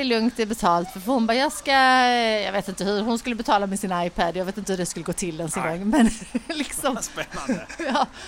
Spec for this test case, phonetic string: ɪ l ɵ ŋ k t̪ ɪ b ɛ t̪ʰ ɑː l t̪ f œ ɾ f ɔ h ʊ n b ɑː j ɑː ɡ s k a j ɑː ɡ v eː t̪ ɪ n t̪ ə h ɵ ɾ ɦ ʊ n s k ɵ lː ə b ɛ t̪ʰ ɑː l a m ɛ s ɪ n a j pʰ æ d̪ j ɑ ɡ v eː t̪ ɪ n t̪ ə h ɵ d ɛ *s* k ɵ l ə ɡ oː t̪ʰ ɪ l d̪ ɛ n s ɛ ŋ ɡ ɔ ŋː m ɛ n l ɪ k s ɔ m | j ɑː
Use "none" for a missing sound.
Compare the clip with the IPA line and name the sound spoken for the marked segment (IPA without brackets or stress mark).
s